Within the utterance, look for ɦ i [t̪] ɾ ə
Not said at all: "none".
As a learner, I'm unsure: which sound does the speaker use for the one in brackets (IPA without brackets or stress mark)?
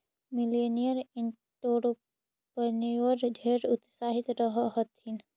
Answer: t̪